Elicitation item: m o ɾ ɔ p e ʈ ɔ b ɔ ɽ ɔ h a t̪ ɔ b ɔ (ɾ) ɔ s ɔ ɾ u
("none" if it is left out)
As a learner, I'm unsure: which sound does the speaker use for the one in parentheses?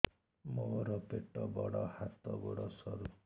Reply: ɽ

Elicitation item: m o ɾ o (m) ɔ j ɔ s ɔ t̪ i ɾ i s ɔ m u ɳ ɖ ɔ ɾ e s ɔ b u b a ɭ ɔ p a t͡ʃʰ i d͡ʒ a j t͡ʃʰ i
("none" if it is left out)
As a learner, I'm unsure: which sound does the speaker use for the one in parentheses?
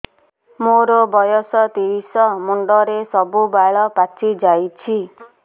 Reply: b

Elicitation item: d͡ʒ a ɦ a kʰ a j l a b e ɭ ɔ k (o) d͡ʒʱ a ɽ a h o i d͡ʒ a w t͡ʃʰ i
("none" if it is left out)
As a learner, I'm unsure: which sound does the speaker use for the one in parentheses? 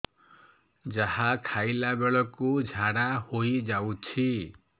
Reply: u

